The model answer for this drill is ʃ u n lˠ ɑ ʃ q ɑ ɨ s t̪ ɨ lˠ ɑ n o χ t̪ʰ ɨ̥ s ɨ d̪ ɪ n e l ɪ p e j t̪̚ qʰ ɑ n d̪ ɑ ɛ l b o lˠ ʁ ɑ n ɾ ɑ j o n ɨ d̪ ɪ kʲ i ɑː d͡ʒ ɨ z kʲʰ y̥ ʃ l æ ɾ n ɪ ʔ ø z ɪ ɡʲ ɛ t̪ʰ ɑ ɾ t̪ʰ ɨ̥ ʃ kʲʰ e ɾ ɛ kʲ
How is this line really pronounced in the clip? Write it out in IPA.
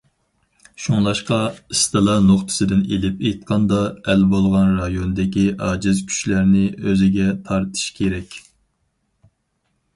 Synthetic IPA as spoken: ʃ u ŋ lˠ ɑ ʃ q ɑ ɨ s t̪ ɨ lˠ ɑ n o χ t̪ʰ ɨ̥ s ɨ d̪ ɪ n e l ɪ p e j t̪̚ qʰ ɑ n d̪ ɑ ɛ l b o lˠ ʁ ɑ n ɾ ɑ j o n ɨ d̪ ɪ kʲ i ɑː d͡ʒ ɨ z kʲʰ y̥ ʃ l æ ɾ n ɪ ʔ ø z ɪ ɡʲ ɛ t̪ʰ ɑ ɾ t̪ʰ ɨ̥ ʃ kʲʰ e ɾ ɛ kʲ